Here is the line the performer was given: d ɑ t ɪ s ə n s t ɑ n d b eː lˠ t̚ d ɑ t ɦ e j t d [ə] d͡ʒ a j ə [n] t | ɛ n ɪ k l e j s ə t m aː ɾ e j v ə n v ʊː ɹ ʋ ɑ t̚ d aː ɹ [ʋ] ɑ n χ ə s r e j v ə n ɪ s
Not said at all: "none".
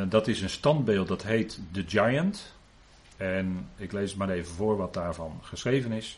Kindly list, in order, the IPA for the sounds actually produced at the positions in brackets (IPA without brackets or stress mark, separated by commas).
ə, n, v